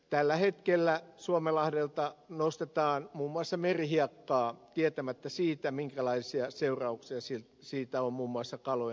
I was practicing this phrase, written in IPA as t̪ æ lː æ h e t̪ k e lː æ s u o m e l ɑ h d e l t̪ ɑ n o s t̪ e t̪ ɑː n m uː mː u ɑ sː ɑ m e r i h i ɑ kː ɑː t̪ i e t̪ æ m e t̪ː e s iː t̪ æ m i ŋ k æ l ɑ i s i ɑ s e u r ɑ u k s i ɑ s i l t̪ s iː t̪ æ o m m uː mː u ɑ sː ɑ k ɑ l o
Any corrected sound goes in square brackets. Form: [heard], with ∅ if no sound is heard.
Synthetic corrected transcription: t̪ æ lː æ h e t̪ k e lː æ s u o m e l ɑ h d e l t̪ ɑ n o s t̪ e t̪ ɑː n m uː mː u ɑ sː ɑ m e r i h i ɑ kː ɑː t̪ i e t̪ æ m [æ] t̪ː [æ] s iː t̪ æ m i ŋ k æ l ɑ i s i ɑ s e u r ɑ u k s i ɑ s i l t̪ s iː t̪ æ o m m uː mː u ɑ sː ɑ k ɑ l o